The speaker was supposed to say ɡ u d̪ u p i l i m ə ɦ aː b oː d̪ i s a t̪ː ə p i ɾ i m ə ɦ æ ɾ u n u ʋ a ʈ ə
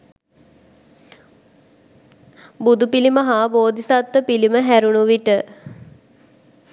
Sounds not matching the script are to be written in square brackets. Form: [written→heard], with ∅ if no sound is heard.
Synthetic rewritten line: [ɡ→b] u d̪ u p i l i m ə ɦ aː b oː d̪ i s a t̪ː ə p i [ɾ→l] i m ə ɦ æ ɾ u n u ʋ [a→i] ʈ ə